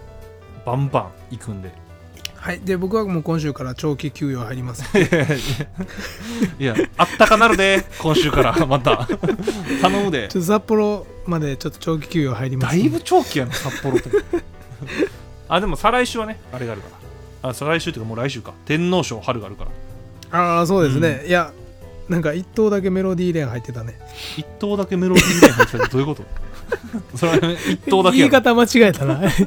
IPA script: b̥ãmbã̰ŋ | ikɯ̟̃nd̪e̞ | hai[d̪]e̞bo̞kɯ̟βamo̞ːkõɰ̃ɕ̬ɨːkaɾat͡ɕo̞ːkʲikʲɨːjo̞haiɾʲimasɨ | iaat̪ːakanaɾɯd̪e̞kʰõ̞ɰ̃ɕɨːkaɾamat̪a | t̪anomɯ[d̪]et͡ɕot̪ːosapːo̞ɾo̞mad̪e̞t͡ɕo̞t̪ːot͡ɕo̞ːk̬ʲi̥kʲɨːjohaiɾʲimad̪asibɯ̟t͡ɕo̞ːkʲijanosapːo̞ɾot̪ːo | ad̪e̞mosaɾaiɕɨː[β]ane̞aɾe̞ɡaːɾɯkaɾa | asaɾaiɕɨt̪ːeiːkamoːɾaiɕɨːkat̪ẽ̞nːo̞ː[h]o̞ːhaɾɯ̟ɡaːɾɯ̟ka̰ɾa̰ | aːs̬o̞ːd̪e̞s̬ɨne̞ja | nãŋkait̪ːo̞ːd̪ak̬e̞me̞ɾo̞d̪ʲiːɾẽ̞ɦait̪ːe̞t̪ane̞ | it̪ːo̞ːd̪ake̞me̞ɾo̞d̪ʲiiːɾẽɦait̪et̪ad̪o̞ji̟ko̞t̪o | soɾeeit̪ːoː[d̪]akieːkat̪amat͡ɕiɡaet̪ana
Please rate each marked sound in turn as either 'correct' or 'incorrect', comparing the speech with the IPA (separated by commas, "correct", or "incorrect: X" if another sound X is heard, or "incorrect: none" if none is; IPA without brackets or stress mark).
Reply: correct, correct, correct, incorrect: ɕ, correct